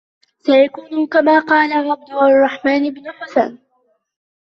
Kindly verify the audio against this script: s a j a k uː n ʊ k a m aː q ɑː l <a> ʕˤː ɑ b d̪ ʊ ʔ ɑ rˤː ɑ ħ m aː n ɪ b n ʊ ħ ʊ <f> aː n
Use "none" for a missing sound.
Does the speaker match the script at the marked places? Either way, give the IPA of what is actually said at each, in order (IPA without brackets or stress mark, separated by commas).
a, s